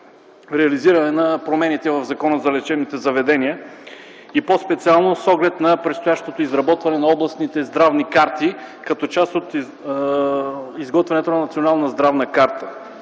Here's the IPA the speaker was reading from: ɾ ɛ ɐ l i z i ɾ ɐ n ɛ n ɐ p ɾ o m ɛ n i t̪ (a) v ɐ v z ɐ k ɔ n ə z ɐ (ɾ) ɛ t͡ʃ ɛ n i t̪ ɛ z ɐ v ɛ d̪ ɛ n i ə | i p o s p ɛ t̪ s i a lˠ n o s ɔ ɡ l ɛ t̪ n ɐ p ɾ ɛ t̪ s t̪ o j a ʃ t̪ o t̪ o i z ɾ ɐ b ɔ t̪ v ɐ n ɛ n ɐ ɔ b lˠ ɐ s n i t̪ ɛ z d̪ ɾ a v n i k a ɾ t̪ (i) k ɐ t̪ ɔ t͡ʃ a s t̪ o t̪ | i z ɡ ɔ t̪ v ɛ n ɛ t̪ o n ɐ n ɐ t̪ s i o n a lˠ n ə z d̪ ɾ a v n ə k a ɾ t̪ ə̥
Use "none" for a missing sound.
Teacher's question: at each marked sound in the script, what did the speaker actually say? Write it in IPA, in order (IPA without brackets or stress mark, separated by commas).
ɛ, l, i